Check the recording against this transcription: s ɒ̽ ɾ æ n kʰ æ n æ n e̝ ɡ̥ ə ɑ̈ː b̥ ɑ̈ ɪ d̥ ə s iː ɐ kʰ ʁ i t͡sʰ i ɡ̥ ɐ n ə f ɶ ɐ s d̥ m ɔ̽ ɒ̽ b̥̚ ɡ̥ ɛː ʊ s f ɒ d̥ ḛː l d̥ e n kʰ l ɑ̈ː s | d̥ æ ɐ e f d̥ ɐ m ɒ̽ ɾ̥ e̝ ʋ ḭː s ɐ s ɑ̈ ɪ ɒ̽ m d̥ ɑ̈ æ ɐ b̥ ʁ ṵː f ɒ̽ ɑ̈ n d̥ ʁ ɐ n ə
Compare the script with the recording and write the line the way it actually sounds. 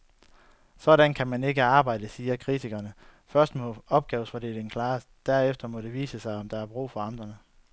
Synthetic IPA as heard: s ɒ̽ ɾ æ n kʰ æ m æ n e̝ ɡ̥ ə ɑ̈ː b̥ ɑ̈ ɪ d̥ ə s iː ɐ kʰ ʁ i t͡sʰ i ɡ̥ ɐ n ə f ɶ ɐ s d̥ m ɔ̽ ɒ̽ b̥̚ ɡ̥ ɛː ʊ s f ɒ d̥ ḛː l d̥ e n kʰ l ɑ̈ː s | d̥ æ ɐ e f d̥ ɐ m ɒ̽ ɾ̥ e̝ ʋ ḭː s ə s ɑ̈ ɪ ɒ̽ m d̥ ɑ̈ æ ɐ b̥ ʁ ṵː f ɒ̽ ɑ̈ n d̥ ʁ ɐ n ə